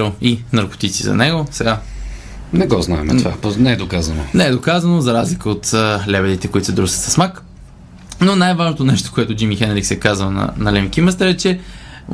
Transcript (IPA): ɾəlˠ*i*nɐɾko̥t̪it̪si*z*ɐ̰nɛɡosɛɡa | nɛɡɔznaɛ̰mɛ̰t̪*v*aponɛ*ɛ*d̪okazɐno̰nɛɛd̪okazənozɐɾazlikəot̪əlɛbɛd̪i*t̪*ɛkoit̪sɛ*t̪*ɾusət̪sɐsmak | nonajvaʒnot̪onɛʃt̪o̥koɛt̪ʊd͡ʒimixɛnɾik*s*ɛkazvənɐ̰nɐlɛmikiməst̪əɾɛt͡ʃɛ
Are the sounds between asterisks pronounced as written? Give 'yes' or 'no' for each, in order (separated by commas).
yes, yes, yes, yes, yes, no, yes